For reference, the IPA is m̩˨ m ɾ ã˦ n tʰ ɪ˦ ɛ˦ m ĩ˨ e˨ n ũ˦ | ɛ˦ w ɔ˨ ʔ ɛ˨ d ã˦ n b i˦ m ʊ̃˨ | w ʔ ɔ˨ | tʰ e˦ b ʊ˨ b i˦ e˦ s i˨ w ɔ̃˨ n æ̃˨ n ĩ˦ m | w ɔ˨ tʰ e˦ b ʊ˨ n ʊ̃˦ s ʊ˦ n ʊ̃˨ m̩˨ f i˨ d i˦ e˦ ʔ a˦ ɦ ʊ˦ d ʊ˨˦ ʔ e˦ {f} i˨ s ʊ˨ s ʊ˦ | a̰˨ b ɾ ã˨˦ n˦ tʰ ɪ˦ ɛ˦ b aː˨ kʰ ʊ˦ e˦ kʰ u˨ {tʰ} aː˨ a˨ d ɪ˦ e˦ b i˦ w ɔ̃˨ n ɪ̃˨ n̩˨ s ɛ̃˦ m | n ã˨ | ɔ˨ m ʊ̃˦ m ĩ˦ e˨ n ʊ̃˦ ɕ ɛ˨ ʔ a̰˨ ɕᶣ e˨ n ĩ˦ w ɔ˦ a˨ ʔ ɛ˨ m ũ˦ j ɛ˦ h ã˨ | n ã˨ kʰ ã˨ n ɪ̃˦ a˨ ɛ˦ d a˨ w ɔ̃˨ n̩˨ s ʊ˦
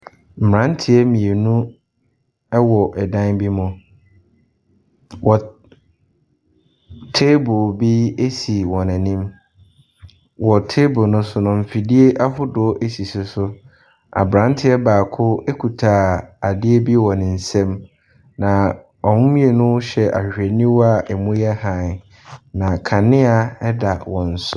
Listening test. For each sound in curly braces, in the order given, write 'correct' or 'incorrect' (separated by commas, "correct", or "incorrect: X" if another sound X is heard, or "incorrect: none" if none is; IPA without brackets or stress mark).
incorrect: s, correct